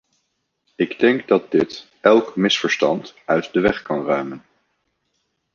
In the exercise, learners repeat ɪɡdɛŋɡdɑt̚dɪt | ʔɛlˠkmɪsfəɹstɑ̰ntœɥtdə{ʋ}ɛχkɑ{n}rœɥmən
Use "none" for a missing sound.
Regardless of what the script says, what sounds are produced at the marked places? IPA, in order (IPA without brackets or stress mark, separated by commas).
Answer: ʋ, n